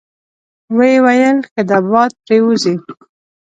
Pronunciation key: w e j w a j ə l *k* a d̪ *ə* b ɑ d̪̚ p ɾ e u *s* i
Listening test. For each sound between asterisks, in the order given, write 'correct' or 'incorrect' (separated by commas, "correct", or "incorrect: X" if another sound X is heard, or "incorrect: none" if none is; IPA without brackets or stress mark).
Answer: correct, incorrect: a, incorrect: z